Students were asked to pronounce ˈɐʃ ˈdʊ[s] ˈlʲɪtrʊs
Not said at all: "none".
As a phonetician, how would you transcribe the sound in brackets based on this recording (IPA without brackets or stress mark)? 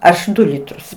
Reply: none